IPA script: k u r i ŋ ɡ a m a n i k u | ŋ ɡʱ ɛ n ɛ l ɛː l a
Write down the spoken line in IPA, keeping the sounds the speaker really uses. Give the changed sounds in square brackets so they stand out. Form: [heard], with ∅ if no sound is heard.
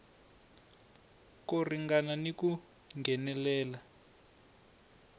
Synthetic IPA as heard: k [o] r i ŋ ɡ a [n] a n i k u | ŋ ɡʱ ɛ n ɛ l ɛː l a